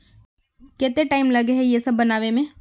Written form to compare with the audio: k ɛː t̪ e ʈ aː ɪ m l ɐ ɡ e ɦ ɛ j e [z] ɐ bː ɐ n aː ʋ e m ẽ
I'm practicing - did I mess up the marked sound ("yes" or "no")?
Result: yes